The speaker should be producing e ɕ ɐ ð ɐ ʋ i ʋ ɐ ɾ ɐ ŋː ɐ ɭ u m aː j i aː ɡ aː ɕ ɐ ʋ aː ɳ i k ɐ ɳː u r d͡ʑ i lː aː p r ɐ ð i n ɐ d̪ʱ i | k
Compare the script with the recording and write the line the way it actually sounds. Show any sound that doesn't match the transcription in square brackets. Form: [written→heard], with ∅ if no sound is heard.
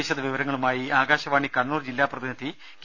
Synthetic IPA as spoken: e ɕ ɐ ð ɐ ʋ i ʋ ɐ ɾ ɐ ŋː ɐ ɭ u m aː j i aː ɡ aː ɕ ɐ ʋ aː ɳ i k ɐ ɳː [u→uː] r d͡ʑ i lː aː p r ɐ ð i n ɐ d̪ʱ i | k